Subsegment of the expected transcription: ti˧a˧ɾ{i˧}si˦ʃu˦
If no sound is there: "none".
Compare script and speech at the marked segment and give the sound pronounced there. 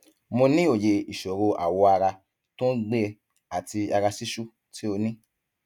a˧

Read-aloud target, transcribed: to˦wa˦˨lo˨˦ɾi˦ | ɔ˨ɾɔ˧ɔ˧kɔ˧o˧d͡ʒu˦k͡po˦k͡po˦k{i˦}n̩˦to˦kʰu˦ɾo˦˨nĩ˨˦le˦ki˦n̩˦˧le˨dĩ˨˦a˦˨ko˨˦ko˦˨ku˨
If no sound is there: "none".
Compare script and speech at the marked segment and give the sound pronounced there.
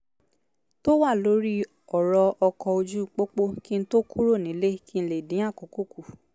i˦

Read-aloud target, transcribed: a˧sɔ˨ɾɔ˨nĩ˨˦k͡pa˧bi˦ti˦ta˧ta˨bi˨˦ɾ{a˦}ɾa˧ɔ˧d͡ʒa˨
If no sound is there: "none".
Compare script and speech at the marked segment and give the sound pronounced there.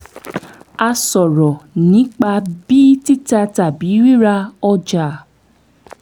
i˦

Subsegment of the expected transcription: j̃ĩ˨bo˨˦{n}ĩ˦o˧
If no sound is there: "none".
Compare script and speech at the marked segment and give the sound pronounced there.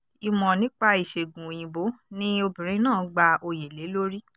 n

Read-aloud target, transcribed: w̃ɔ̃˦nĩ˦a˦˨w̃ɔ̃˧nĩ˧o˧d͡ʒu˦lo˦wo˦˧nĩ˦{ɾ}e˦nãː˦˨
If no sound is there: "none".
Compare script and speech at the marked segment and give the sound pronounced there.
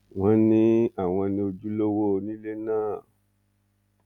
l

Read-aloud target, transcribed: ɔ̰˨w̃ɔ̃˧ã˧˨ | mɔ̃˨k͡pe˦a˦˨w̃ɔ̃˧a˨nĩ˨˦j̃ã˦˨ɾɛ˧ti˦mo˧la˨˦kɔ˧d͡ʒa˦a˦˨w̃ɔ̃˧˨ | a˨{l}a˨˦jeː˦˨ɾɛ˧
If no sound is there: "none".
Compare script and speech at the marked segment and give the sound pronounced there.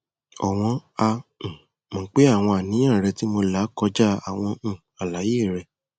l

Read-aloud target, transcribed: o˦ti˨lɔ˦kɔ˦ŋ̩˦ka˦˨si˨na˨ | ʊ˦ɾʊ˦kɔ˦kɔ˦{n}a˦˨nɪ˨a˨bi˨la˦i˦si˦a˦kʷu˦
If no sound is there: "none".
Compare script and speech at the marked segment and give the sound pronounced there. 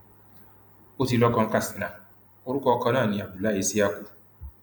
n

